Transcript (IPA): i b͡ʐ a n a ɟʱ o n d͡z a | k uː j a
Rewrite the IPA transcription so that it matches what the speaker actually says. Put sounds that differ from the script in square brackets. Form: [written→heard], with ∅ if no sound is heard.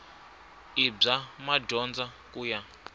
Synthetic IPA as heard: i b͡ʐ a [n→m] a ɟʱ [o→ɔ] n d͡z a | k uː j a